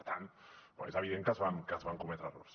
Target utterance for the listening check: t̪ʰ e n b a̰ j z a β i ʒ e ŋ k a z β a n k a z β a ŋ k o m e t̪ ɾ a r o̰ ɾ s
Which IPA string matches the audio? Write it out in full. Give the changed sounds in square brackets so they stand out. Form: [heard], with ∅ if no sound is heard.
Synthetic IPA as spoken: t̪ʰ [a] n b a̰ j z a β i [ð] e ŋ k a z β a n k a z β a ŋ k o m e t̪ ɾ a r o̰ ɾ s